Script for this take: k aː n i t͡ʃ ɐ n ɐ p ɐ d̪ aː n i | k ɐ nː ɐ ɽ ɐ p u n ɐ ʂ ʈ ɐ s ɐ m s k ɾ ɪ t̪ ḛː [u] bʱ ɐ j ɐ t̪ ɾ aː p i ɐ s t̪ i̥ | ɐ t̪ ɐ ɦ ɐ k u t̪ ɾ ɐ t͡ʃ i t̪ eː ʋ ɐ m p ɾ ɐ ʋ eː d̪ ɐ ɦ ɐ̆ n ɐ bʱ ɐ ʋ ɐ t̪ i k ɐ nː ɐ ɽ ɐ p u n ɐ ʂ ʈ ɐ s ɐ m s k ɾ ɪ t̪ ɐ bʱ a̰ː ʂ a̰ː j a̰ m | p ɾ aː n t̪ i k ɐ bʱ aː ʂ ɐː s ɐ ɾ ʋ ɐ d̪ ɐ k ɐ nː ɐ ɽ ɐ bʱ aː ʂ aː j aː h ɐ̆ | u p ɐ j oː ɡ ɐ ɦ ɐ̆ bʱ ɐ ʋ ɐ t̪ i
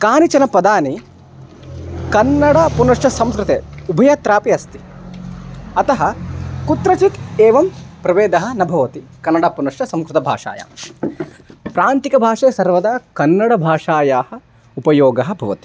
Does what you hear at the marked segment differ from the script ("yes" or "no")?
no